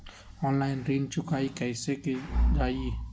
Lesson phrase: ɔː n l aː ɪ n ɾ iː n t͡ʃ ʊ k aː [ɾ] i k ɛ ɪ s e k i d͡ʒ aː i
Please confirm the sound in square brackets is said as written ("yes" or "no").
no